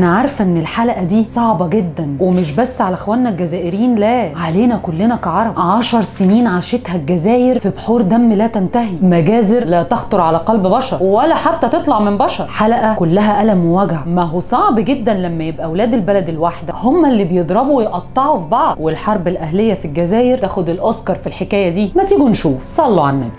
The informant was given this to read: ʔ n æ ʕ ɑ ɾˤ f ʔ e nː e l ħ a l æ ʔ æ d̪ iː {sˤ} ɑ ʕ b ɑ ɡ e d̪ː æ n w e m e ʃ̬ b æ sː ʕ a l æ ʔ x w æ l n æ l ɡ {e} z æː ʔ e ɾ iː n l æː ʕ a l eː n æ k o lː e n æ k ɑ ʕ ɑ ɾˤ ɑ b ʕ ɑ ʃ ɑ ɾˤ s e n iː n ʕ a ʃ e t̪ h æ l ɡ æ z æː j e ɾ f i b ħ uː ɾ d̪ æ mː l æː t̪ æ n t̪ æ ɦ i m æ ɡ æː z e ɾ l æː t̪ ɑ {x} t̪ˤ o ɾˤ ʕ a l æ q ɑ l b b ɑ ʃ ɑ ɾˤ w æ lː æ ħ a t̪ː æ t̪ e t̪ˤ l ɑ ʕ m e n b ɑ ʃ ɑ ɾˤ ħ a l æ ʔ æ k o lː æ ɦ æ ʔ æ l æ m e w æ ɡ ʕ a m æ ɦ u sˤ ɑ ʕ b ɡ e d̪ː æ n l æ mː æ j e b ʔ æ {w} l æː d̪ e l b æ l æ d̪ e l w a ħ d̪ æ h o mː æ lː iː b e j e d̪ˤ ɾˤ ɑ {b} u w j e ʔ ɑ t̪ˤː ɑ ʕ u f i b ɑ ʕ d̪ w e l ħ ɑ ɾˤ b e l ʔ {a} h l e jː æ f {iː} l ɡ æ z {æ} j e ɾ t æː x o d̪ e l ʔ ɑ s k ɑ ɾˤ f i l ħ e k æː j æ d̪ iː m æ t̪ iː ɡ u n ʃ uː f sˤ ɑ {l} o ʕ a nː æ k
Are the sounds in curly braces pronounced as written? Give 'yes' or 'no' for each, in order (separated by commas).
yes, no, yes, yes, yes, no, no, no, no